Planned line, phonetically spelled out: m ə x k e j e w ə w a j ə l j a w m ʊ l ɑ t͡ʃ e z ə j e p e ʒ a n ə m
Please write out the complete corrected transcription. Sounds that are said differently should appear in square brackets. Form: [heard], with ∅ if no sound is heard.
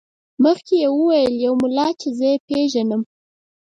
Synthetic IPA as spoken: m ə x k e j e w ə w a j ə l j a w m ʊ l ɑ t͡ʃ e z ə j e p e ʒ a n ə m